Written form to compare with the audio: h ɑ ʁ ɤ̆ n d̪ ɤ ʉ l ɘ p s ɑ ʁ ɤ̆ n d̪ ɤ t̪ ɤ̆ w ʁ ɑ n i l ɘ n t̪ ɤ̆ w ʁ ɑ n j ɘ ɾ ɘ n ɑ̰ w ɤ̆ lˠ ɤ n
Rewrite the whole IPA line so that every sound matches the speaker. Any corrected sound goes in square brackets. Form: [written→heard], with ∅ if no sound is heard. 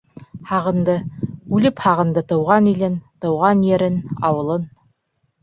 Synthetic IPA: h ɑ ʁ ɤ̆ n d̪ ɤ ʉ l ɘ p [s→h] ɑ ʁ ɤ̆ n d̪ ɤ t̪ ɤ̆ w ʁ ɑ n i l ɘ n t̪ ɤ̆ w ʁ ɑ n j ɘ ɾ ɘ n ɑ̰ w ɤ̆ lˠ ɤ n

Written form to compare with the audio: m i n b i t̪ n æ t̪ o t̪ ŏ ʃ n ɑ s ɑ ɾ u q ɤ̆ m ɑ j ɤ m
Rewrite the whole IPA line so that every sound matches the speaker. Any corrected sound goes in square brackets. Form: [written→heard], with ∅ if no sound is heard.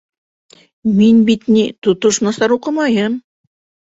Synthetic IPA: m i n b i t̪ n [æ→i] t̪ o t̪ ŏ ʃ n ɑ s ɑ ɾ u q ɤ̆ m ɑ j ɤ m

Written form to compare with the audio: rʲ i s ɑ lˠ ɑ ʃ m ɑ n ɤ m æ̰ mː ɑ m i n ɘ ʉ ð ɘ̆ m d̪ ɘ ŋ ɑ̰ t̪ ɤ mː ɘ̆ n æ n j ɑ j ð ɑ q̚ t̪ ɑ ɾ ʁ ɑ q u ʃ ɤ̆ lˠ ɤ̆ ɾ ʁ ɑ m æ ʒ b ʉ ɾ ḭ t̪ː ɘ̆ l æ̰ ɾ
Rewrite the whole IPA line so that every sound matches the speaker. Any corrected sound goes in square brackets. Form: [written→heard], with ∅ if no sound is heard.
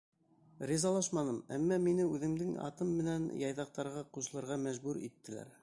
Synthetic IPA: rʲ i [s→z] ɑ lˠ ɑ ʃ m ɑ n ɤ m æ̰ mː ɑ m i n ɘ ʉ ð ɘ̆ m d̪ ɘ ŋ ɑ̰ t̪ ɤ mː ɘ̆ n æ n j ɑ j ð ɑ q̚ t̪ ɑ ɾ ʁ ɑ q u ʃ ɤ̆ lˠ ɤ̆ ɾ ʁ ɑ m æ ʒ b ʉ ɾ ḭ t̪ː ɘ̆ l æ̰ ɾ

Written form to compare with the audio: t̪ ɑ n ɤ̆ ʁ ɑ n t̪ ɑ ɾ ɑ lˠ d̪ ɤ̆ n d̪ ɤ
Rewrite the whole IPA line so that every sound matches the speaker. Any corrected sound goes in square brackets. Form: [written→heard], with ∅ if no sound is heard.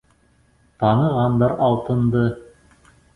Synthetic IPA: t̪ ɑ n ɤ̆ ʁ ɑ n [t̪→d̪] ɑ ɾ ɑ lˠ [d̪→t̪] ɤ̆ n d̪ ɤ

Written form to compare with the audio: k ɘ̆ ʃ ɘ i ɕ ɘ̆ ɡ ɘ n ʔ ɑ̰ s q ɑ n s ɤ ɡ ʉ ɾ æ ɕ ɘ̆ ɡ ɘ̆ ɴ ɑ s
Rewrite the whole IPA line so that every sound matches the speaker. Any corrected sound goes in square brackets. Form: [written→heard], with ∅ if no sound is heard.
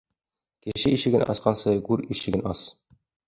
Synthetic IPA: k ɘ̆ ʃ ɘ i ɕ ɘ̆ ɡ ɘ n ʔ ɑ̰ s q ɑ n s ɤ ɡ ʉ ɾ [æ→i] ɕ ɘ̆ ɡ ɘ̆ [ɴ→n] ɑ s

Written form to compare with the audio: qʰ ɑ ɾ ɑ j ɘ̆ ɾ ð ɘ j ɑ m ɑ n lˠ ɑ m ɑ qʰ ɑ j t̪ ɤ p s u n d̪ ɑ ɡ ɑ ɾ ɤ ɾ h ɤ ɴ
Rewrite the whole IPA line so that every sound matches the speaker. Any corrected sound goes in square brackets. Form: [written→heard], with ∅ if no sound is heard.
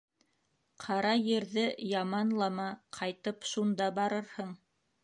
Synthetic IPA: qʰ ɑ ɾ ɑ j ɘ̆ ɾ ð ɘ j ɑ m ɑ n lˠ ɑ m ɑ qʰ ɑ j t̪ ɤ p [s→ʃ] u n d̪ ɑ [ɡ→b] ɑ ɾ ɤ ɾ h ɤ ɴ

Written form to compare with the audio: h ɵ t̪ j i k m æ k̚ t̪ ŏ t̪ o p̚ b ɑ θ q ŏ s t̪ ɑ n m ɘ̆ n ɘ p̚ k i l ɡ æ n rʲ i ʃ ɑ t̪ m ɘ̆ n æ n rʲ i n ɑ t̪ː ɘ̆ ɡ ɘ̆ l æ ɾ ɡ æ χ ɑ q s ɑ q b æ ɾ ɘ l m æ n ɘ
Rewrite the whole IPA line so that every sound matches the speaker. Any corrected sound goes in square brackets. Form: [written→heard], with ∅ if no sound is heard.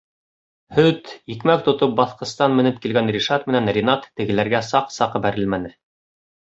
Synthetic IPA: h ɵ t̪ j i k m æ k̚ t̪ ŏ t̪ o p̚ b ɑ θ q [ŏ→ɤ̆] s t̪ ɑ n m ɘ̆ n ɘ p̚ k i l ɡ æ n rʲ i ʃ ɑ t̪ m ɘ̆ n æ n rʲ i n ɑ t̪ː ɘ̆ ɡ ɘ̆ l æ ɾ ɡ æ [χ→s] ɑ q s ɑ q b æ ɾ ɘ l m æ n ɘ

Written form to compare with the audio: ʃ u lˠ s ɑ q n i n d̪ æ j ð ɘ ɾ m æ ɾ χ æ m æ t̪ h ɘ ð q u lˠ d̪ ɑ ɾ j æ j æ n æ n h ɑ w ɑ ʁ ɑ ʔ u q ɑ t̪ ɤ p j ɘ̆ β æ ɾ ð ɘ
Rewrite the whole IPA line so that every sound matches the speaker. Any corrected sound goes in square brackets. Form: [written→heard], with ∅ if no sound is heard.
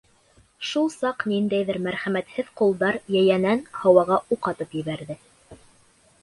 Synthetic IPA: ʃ u lˠ s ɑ q n i n d̪ æ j ð ɘ ɾ m æ ɾ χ æ m æ t̪ h ɘ ð q u lˠ d̪ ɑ ɾ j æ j æ n æ n h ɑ w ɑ ʁ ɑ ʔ u q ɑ t̪ ɤ p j ɘ̆ β æ ɾ ð ɘ

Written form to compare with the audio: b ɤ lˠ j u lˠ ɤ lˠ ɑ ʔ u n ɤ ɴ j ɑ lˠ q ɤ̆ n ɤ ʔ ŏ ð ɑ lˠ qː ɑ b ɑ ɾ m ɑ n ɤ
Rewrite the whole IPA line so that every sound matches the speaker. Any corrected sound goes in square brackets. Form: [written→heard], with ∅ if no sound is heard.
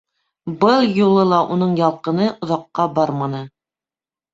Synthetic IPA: b ɤ lˠ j u lˠ ɤ lˠ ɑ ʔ u n ɤ ɴ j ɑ lˠ q ɤ̆ n ɤ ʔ ŏ ð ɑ [lˠ→∅] qː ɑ b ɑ ɾ m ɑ n ɤ

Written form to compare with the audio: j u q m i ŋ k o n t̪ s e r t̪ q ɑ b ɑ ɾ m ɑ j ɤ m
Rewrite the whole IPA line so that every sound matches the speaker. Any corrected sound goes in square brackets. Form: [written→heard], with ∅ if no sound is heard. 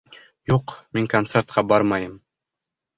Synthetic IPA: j u q m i ŋ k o n t̪ s e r t̪ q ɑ b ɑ ɾ m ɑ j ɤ m

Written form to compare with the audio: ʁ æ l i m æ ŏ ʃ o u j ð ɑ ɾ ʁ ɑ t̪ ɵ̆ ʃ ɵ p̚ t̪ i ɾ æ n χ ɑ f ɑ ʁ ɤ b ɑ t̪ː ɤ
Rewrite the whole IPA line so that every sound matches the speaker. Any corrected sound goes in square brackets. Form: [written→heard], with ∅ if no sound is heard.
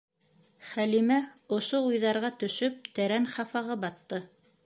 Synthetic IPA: [ʁ→χ] æ l i m æ ŏ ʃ o u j ð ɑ ɾ ʁ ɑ t̪ ɵ̆ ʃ ɵ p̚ t̪ [i→æ] ɾ æ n χ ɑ f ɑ ʁ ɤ b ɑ t̪ː ɤ

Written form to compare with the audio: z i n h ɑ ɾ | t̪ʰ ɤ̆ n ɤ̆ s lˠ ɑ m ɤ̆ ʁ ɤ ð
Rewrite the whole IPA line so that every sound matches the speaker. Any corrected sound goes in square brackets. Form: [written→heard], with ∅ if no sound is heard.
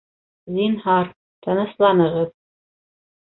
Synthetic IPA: z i n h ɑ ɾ | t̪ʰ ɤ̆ n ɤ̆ s lˠ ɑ [m→n] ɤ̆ ʁ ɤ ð

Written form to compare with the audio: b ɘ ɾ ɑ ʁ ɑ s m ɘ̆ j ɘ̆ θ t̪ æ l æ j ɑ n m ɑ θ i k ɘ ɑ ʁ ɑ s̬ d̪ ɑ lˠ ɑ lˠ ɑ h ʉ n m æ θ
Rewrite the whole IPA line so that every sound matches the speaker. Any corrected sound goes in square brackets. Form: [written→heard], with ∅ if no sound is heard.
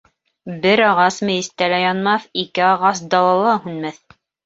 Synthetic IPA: b ɘ ɾ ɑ ʁ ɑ s m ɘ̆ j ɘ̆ [θ→s] t̪ æ l æ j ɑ n m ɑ θ i k ɘ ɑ ʁ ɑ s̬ d̪ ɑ lˠ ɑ lˠ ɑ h ʉ n m æ θ

